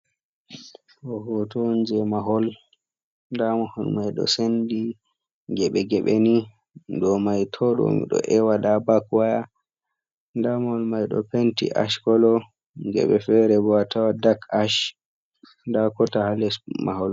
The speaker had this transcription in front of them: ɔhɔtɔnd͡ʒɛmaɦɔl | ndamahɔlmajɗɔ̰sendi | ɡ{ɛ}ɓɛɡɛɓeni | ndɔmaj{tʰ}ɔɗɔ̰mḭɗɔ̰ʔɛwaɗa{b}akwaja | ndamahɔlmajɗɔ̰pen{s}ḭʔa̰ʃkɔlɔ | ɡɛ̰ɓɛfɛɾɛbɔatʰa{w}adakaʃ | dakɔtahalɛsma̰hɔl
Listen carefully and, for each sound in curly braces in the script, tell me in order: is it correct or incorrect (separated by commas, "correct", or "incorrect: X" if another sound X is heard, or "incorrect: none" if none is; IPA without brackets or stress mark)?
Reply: correct, correct, correct, incorrect: t, correct